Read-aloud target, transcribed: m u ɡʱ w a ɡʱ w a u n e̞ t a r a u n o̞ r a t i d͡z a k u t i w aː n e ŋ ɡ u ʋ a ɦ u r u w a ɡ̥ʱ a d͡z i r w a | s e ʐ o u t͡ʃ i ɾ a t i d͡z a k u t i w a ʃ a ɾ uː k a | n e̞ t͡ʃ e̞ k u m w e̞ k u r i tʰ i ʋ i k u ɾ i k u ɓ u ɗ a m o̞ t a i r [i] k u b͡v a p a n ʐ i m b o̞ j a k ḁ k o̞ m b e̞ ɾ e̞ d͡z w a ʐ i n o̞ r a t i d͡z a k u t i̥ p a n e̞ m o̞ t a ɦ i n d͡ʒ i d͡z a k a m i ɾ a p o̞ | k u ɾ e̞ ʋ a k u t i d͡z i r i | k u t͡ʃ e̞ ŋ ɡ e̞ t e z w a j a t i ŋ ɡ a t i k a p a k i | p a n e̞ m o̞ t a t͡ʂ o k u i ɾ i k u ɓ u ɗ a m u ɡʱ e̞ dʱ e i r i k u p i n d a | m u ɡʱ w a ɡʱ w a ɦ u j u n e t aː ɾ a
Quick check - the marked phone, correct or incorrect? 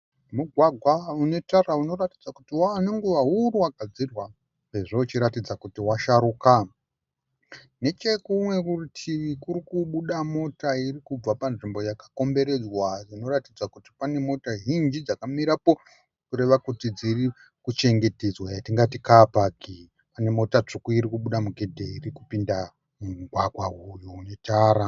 correct